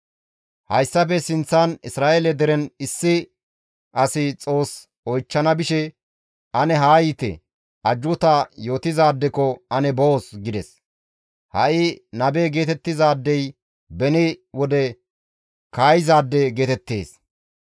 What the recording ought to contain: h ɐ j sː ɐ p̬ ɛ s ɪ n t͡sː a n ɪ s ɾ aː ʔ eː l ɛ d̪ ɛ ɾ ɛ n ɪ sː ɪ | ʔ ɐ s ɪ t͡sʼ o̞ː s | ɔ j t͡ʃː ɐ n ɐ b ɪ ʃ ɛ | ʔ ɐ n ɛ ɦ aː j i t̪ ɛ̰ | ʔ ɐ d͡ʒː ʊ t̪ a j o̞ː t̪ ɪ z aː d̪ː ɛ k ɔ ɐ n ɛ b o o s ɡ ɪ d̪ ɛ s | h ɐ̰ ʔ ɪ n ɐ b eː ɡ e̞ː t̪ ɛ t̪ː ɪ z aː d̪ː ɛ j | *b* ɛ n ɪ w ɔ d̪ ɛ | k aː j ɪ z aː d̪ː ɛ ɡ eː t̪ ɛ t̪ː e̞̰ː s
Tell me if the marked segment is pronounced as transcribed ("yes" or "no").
yes